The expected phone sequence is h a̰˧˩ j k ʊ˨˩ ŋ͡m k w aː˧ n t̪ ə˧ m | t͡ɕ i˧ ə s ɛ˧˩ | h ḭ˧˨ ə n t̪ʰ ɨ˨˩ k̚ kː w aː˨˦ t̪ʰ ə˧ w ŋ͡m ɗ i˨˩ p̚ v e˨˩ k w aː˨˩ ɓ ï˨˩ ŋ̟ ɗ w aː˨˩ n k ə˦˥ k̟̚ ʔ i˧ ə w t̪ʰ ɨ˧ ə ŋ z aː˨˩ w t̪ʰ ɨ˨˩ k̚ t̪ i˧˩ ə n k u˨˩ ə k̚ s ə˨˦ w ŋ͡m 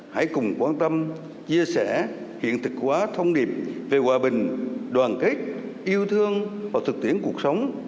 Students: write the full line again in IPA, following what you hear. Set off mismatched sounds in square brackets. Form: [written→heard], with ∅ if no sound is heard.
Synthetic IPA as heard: h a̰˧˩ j k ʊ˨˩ ŋ͡m k w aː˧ n t̪ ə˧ m | t͡ɕ i˧ ə s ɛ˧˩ | h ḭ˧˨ ə n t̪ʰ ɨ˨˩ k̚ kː w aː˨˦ t̪ʰ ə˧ w ŋ͡m ɗ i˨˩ p̚ v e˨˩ k w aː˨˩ ɓ ï˨˩ ŋ̟ ɗ w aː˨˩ n k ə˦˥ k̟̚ ʔ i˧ ə w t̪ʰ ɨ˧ ə ŋ [z→v] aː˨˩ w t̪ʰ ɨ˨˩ k̚ t̪ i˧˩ ə n k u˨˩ ə k̚ s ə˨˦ w ŋ͡m